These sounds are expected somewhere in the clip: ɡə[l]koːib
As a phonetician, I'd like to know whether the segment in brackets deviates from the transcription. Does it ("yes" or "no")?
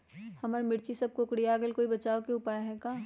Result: no